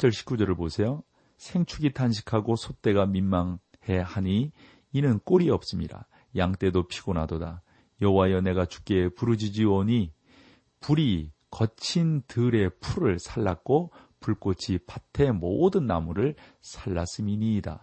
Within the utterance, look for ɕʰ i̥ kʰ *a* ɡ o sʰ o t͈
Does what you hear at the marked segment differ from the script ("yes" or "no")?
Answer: no